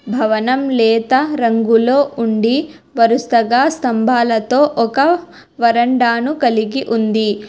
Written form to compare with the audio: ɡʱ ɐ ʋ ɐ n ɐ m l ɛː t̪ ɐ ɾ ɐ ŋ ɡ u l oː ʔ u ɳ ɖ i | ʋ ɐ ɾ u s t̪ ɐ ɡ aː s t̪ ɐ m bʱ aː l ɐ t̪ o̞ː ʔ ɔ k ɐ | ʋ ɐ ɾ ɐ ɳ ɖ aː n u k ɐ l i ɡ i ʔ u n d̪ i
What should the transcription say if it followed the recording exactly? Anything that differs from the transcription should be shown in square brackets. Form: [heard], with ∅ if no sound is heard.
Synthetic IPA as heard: [bʱ] ɐ ʋ ɐ n ɐ m l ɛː t̪ ɐ ɾ ɐ ŋ ɡ u l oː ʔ u ɳ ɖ i | ʋ ɐ ɾ u s t̪ ɐ ɡ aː s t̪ ɐ m bʱ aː l ɐ t̪ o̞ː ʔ ɔ k ɐ | ʋ ɐ ɾ ɐ ɳ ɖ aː n u k ɐ l i ɡ i ʔ u n d̪ i

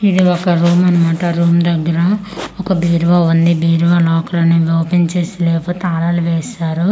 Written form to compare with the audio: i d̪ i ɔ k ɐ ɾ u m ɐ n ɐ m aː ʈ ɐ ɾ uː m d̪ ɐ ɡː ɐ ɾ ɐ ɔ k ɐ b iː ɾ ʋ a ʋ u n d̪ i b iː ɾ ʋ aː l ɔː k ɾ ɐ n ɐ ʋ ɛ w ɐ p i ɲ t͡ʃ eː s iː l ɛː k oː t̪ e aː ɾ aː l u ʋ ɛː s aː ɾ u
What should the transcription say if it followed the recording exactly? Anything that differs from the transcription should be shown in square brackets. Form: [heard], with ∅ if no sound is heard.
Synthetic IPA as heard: i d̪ i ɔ k ɐ ɾ [uː] m ɐ n ɐ m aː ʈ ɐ ɾ uː m d̪ ɐ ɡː ɐ ɾ ɐ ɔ k ɐ b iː ɾ ʋ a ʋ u n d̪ i b iː ɾ ʋ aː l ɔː k ɾ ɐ n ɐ ʋ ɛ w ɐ p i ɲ t͡ʃ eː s [i] l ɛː [p] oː t̪ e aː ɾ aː l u ʋ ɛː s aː ɾ u

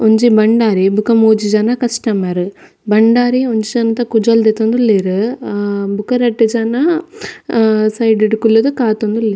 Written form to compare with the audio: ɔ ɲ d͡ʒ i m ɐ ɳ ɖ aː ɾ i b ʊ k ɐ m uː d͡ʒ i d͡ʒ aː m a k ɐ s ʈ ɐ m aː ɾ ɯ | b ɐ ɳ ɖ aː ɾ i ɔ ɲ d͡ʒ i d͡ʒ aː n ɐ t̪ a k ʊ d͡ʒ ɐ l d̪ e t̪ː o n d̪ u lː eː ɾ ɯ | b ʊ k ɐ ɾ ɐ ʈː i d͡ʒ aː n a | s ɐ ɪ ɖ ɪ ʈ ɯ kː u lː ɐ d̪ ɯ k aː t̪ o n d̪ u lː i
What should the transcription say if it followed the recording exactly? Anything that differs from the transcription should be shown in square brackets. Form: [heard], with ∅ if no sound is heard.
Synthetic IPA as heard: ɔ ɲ d͡ʒ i [b] ɐ ɳ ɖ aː ɾ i b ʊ k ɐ m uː d͡ʒ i d͡ʒ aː [n] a k ɐ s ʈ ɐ m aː ɾ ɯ | b ɐ ɳ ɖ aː ɾ i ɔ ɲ d͡ʒ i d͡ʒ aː n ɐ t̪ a k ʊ d͡ʒ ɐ l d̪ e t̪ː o n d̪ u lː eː ɾ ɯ | b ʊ k ɐ ɾ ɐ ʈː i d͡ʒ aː n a | s ɐ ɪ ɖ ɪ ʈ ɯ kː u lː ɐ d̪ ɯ k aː t̪ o n d̪ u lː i

